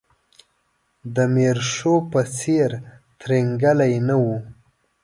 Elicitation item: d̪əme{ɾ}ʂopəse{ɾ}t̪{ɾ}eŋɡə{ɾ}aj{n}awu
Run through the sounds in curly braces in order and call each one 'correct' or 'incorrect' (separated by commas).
correct, correct, correct, incorrect, correct